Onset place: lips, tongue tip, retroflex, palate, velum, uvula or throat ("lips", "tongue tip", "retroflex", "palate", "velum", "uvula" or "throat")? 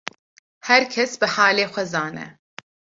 throat